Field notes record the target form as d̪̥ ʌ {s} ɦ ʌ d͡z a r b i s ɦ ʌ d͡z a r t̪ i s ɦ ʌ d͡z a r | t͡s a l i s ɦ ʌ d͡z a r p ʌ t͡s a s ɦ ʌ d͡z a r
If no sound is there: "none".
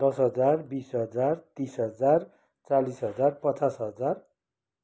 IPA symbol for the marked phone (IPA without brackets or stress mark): s